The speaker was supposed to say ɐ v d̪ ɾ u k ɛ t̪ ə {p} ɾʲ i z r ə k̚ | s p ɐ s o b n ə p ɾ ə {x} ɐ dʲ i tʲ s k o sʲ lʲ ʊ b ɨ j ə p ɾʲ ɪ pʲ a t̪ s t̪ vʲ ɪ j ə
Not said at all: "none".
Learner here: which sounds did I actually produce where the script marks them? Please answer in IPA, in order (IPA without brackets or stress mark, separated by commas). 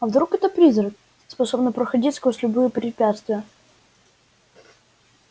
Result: p, x